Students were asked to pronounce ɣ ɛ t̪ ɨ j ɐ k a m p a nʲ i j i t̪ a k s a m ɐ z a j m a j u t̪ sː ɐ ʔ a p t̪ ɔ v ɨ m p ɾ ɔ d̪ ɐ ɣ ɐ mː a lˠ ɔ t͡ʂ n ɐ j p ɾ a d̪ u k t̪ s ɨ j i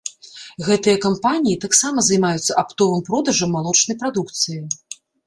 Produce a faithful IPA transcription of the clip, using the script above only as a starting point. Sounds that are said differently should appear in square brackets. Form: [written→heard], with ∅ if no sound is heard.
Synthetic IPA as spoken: ɣ ɛ t̪ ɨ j ɐ k a m p a nʲ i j i t̪ a k s a m ɐ z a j m a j u t̪ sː ɐ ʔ a p t̪ ɔ v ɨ m p ɾ ɔ d̪ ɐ [ɣ→ʐ] ɐ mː a lˠ ɔ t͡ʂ n ɐ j p ɾ a d̪ u k t̪ s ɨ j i